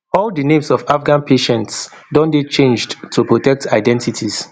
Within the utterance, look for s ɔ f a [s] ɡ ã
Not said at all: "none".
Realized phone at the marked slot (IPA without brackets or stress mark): f